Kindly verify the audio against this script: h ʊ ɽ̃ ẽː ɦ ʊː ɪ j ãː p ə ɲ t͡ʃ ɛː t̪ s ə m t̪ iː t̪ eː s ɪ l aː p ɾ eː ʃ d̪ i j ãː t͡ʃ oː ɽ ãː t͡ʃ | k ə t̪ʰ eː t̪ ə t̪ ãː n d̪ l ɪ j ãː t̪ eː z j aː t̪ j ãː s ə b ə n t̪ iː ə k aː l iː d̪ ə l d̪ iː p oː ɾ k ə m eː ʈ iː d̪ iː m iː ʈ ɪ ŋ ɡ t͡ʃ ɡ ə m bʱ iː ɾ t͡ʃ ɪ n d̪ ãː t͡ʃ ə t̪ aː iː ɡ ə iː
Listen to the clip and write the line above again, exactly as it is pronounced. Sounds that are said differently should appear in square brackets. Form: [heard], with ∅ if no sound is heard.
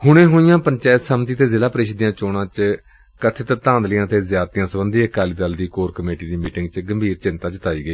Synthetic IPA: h ʊ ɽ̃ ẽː ɦ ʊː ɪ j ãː p ə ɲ t͡ʃ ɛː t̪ s ə m t̪ iː t̪ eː [z] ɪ l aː p ɾ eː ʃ d̪ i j ãː t͡ʃ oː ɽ ãː t͡ʃ | k ə t̪ʰ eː t̪ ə t̪ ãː n d̪ l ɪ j ãː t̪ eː z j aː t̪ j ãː s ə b ə n [d̪] iː ə k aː l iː d̪ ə l d̪ iː [k] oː ɾ k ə m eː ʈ iː d̪ iː m iː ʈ ɪ ŋ ɡ t͡ʃ ɡ ə m bʱ iː ɾ t͡ʃ ɪ n [t̪] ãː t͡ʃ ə t̪ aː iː ɡ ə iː

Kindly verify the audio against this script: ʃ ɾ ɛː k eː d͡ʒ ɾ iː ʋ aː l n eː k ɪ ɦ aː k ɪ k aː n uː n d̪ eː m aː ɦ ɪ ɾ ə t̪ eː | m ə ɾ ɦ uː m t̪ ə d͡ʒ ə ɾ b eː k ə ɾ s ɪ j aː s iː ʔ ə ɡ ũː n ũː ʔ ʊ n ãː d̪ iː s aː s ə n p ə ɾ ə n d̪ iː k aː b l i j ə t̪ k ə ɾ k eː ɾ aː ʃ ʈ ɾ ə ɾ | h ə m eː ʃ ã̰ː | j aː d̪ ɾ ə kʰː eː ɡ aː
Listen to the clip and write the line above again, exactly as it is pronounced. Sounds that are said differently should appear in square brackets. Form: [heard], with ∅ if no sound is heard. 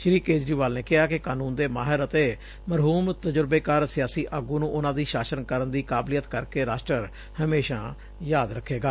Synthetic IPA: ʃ ɾ [iː] k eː d͡ʒ ɾ iː ʋ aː l n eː k ɪ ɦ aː k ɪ k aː n uː n d̪ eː m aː ɦ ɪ ɾ ə t̪ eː | m ə ɾ ɦ uː m t̪ ə d͡ʒ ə ɾ b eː k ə ɾ s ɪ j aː s iː ʔ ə ɡ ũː n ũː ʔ ʊ n ãː d̪ iː [ʃ] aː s ə n [k] ə ɾ ə n d̪ iː k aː b l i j ə t̪ k ə ɾ k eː ɾ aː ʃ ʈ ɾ ə ɾ | h ə m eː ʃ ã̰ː | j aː d̪ ɾ ə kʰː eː ɡ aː

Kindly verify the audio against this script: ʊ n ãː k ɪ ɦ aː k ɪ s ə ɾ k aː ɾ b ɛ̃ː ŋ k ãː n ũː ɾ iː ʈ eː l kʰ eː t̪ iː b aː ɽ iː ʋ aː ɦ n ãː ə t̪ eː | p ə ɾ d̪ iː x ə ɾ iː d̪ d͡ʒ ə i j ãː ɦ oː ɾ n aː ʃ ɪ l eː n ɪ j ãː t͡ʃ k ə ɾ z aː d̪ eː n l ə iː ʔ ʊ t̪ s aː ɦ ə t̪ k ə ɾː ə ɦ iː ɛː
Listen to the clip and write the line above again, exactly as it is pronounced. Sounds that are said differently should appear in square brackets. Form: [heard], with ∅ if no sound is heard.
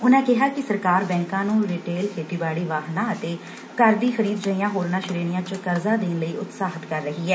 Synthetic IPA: ʊ n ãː k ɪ ɦ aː k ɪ s ə ɾ k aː ɾ b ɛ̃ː ŋ k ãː n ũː ɾ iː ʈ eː l kʰ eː t̪ iː b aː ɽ iː ʋ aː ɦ n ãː ə t̪ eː | [k] ə ɾ d̪ iː x ə ɾ iː d̪ d͡ʒ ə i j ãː ɦ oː ɾ n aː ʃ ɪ [ɾ] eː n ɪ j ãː t͡ʃ k ə ɾ z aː d̪ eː n l ə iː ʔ ʊ t̪ s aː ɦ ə t̪ k ə ɾː ə ɦ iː ɛː

